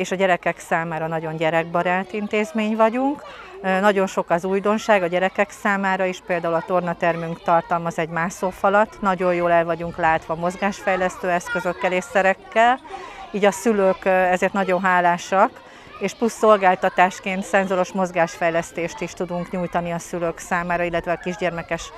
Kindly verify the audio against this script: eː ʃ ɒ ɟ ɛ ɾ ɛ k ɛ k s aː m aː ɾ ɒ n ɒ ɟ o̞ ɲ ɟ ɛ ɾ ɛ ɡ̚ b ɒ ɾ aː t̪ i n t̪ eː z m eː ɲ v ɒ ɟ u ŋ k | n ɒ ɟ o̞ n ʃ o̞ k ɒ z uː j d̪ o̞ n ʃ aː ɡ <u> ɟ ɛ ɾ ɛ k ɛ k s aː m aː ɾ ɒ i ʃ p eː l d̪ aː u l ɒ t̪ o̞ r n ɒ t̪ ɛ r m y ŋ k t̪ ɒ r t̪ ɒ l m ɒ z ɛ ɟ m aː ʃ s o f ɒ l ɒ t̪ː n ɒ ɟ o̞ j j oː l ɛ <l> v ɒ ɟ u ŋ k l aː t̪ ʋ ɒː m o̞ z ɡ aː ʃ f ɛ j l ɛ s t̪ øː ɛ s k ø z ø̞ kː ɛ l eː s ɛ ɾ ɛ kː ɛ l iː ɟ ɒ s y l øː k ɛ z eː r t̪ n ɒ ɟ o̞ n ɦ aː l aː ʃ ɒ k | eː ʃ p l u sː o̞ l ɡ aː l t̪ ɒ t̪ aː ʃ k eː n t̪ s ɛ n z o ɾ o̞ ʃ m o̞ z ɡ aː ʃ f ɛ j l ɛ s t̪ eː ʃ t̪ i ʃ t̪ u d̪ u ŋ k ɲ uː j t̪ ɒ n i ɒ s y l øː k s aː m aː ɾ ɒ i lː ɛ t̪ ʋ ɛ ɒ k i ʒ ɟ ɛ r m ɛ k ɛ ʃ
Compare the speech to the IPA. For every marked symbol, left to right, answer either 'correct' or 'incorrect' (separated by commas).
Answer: incorrect, correct